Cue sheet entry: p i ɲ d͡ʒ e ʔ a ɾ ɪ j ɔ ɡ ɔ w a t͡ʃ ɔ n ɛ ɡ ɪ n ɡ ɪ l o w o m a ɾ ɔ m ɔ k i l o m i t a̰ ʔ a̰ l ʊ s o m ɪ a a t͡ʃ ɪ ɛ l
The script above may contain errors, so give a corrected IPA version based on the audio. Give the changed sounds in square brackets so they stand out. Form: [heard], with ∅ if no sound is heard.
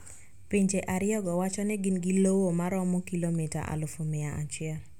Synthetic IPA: p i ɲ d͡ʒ e ʔ a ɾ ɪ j ɔ ɡ ɔ w a t͡ʃ ɔ n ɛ ɡ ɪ n ɡ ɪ l o w o m a ɾ ɔ m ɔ k i l o m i t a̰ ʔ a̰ l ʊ [f] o m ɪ a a t͡ʃ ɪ ɛ l